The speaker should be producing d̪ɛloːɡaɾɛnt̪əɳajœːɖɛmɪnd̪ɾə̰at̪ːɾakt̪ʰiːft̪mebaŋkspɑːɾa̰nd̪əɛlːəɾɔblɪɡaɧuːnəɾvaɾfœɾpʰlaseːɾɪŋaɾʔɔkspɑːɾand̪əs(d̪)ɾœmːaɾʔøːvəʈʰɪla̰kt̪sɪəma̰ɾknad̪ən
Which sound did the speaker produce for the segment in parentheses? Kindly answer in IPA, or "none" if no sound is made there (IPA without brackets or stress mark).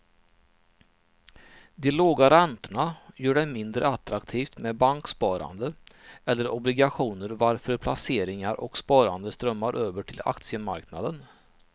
t̪